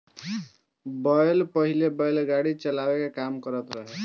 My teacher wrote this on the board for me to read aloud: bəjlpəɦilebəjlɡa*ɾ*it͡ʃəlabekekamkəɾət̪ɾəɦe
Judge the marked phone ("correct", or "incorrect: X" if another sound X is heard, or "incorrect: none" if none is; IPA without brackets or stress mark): incorrect: ɽ